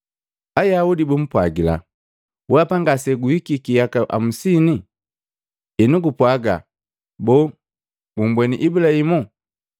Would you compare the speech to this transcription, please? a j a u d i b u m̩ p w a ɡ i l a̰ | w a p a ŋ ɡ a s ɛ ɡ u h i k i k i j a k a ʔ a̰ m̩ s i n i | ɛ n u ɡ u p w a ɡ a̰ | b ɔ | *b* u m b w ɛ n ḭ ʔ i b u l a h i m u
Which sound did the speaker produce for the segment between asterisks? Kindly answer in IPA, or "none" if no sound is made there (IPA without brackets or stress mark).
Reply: b